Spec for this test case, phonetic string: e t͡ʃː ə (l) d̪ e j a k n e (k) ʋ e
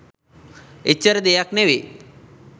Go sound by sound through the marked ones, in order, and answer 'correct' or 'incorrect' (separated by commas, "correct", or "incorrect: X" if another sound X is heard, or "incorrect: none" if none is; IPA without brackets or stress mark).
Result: incorrect: ɾ, incorrect: none